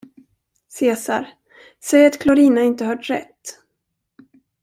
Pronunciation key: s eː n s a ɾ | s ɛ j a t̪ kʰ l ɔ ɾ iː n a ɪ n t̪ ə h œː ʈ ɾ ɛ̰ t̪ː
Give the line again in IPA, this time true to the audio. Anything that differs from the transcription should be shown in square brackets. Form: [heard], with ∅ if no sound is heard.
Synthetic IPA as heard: s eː [∅] s a ɾ | s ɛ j a t̪ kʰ l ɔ ɾ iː n a ɪ n t̪ ə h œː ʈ ɾ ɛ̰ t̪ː

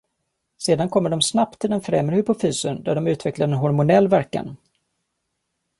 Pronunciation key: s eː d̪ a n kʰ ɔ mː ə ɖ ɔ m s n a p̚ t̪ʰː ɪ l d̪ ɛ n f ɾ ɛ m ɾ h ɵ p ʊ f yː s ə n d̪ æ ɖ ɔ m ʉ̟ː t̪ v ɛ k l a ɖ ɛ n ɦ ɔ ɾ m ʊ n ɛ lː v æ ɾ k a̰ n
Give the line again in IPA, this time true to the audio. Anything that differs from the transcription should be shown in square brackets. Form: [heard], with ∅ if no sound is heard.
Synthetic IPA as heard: s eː d̪ a n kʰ ɔ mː ə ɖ ɔ m s n a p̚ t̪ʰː ɪ l d̪ ɛ n f ɾ ɛ m ɾ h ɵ p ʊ f yː s ə n d̪ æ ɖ ɔ m ʉ̟ː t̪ v ɛ k l a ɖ ɛ n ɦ ɔ ɾ m ʊ n ɛ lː v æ ɾ k a̰ n

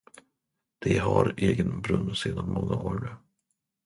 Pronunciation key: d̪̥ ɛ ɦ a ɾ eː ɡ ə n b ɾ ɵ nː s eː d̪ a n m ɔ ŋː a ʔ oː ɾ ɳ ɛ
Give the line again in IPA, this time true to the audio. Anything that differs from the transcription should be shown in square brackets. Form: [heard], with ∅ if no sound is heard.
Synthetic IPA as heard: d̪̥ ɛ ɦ a ɾ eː ɡ ə n b ɾ ɵ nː s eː d̪ a n m ɔ ŋː a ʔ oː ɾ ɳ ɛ

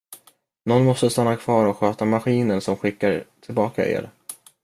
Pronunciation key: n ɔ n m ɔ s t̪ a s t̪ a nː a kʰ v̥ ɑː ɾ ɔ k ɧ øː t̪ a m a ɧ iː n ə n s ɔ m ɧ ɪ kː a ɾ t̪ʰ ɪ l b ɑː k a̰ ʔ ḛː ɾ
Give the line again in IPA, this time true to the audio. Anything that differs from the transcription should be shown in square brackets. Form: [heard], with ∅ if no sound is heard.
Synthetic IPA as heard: n ɔ n m ɔ s t̪ [ə] s t̪ a nː a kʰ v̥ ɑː ɾ ɔ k ɧ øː t̪ a m a ɧ iː n ə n s ɔ m ɧ ɪ kː a ɾ t̪ʰ ɪ l b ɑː k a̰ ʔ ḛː ɾ

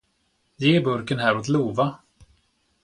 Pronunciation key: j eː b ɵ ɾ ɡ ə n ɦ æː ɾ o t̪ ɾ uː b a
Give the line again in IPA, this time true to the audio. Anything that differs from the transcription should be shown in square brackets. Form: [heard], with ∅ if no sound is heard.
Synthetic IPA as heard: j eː b ɵ ɾ [k] ə n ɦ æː ɾ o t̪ [l] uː [v] a

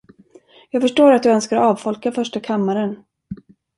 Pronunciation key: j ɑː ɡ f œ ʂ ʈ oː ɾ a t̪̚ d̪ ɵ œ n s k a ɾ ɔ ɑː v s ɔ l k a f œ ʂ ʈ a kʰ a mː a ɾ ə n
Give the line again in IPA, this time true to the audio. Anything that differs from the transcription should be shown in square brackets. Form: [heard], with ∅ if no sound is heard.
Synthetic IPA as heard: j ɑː ɡ f œ ʂ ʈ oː ɾ a t̪̚ d̪ ɵ œ n s k a ɾ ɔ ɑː v [f] ɔ l k a f œ ʂ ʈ a kʰ a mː a ɾ ə n

